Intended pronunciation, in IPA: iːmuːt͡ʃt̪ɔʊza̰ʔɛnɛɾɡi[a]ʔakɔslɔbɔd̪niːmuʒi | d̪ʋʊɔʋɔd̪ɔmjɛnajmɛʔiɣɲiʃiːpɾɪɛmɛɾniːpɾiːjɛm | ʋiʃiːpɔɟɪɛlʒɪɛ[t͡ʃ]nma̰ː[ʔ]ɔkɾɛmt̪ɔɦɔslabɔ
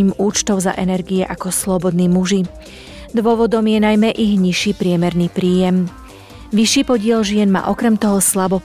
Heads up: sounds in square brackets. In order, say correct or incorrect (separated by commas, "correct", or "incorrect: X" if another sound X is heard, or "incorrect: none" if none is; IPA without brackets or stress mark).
incorrect: ɛ, incorrect: none, correct